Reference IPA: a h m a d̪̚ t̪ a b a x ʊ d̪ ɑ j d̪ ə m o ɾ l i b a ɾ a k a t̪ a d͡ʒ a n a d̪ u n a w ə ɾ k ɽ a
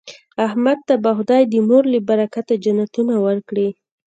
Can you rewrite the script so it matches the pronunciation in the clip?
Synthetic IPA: a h m a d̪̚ t̪ a b a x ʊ d̪ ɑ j d̪ ə m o ɾ l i b a ɾ a k a t̪ a d͡ʒ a n a t̪ u n a w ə ɾ k ɽ i